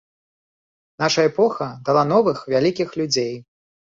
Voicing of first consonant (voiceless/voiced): voiced